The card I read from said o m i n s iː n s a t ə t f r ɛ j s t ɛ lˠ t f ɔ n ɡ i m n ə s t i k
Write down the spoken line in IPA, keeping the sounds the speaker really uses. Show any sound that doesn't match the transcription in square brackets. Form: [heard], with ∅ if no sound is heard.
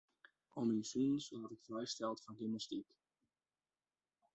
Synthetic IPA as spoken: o m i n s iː n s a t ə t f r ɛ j s t ɛ lˠ t f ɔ n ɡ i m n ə s t i k